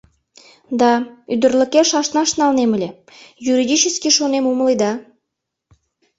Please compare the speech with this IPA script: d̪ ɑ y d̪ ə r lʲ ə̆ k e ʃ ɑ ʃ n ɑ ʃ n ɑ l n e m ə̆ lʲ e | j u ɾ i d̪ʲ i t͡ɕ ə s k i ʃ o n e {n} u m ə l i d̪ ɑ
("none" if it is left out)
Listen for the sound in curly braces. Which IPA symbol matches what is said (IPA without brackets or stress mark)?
m